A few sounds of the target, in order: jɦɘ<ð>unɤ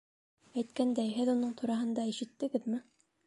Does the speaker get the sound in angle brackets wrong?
no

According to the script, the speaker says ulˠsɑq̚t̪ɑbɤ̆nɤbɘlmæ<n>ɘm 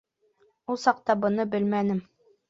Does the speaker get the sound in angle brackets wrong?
no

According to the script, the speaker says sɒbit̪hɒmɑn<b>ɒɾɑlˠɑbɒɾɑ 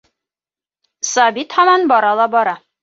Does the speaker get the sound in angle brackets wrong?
no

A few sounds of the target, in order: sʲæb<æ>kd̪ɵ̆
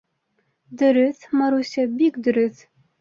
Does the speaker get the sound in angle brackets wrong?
yes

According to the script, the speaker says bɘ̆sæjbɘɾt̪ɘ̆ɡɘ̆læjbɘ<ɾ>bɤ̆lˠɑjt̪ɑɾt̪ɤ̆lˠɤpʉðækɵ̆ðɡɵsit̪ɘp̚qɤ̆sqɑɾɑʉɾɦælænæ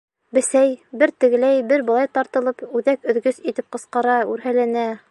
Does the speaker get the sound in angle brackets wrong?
no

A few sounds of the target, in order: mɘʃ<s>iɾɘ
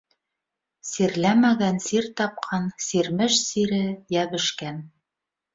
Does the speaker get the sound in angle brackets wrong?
no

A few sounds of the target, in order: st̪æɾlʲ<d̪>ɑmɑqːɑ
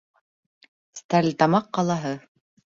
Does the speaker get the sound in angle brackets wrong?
yes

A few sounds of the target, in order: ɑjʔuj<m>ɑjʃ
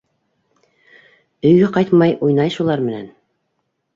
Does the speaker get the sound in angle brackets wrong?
yes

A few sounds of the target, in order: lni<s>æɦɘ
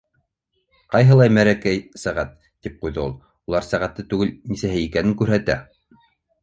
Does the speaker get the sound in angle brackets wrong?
no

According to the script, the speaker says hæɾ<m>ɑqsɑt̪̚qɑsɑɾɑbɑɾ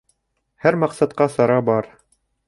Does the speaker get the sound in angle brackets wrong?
no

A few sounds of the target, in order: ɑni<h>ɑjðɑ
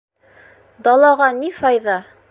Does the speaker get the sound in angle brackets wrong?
yes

